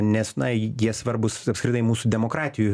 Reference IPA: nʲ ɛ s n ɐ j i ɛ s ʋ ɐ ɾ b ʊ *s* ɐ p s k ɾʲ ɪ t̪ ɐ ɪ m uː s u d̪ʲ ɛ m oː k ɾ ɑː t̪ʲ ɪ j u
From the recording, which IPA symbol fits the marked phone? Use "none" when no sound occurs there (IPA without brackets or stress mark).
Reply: s